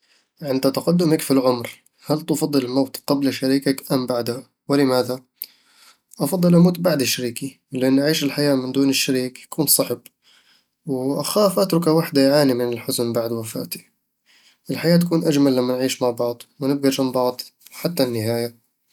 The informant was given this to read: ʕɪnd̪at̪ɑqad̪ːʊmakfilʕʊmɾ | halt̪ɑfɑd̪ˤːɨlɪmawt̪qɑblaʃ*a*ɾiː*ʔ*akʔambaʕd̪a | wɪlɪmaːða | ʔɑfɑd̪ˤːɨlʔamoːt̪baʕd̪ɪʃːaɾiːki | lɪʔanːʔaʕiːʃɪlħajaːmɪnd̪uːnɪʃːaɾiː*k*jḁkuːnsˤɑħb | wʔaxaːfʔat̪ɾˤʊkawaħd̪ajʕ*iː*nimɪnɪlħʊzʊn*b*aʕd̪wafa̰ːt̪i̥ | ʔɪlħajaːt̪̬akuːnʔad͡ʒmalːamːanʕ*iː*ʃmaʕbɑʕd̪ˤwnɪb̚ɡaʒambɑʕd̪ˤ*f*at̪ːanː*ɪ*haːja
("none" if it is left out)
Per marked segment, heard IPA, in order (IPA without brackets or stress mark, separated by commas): a, k, k, aː, b, iː, ħ, ɪ